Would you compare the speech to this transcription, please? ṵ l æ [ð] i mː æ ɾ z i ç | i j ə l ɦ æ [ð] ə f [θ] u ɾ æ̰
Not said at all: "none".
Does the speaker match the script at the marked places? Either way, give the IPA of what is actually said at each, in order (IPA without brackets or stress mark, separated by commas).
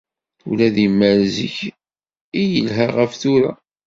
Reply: ð, ʁ, θ